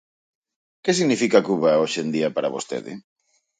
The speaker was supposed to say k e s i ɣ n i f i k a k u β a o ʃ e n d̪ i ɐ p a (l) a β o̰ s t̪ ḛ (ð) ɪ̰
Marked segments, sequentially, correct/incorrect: incorrect: ɾ, correct

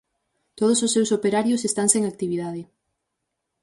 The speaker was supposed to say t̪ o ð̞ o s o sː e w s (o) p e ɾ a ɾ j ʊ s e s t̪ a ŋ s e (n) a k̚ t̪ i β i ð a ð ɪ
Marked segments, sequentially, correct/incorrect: correct, incorrect: ŋ

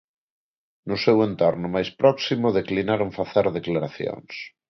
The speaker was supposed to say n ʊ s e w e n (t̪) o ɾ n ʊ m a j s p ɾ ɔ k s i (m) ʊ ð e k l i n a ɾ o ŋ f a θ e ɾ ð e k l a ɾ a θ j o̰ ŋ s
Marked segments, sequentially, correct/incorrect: correct, correct

